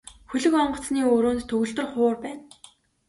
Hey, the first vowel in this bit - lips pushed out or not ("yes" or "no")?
yes